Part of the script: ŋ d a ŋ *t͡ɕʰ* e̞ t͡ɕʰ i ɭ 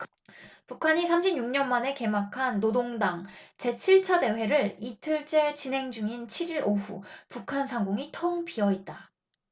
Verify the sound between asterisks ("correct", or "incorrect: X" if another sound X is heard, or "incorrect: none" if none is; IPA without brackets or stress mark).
incorrect: t͡ɕ